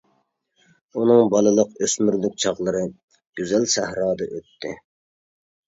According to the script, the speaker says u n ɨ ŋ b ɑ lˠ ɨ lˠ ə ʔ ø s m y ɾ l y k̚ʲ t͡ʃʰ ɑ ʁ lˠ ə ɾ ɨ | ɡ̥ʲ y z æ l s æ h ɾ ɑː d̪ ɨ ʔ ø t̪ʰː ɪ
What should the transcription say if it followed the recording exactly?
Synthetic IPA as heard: u n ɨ ŋ b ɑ lˠ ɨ lˠ ə q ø s m y ɾ l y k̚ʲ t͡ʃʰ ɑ ʁ lˠ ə ɾ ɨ | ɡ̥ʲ y z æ l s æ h ɾ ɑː d̪ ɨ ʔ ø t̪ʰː ɪ